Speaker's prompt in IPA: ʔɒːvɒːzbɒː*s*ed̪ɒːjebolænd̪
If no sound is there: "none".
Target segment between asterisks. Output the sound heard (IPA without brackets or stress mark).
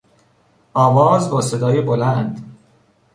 s